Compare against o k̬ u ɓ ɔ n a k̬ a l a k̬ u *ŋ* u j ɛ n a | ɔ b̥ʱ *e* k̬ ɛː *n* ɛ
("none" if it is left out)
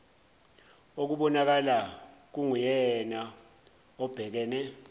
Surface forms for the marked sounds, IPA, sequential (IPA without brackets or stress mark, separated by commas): ŋ, ɛ, n